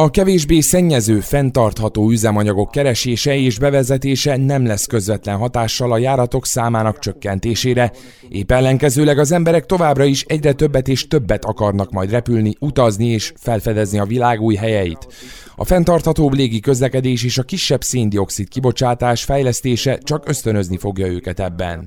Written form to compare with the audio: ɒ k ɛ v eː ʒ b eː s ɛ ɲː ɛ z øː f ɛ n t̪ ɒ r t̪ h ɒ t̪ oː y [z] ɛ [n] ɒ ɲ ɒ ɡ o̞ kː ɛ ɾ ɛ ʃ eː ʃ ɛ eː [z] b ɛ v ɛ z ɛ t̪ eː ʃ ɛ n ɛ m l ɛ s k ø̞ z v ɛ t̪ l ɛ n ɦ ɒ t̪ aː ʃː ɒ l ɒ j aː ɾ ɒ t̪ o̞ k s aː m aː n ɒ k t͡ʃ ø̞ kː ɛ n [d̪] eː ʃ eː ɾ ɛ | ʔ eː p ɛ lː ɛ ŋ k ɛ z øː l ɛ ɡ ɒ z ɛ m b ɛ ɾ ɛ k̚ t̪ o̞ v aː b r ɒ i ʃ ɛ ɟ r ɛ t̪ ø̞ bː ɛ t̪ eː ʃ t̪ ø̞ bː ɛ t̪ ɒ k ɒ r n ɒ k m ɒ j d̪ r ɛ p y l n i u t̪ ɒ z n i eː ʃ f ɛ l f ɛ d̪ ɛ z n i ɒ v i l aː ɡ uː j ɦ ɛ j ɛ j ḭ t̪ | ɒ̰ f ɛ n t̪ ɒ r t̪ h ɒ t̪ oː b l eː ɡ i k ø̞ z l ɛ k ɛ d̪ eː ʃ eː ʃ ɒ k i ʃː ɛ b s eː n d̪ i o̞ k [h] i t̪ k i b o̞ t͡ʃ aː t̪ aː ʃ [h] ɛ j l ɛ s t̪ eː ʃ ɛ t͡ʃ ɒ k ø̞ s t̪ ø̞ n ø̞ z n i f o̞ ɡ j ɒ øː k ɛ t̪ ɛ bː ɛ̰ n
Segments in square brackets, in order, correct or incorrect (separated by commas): correct, incorrect, incorrect, incorrect, incorrect, incorrect